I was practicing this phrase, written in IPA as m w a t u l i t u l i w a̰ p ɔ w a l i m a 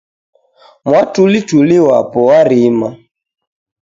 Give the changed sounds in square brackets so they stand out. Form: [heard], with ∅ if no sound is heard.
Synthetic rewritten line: m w a t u l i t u l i w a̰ p ɔ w a [ɾ] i m a